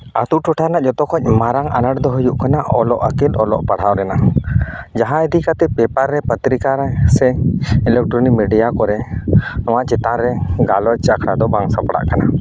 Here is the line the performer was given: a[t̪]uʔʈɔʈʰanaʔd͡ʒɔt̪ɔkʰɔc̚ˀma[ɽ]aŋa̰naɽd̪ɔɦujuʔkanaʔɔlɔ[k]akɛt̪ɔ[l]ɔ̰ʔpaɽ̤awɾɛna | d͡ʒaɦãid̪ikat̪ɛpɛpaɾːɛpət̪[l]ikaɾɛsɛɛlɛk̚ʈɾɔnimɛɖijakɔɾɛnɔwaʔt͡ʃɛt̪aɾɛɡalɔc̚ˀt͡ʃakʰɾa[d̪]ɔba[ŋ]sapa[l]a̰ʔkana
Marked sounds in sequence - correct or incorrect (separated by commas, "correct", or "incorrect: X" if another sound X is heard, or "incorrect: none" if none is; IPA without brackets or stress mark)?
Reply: correct, incorrect: ɾ, incorrect: ʔ, correct, incorrect: ɾ, correct, correct, incorrect: ɽ